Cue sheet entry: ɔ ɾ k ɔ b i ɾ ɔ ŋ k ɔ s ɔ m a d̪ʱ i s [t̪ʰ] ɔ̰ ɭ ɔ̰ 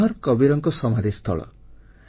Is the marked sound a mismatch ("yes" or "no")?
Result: no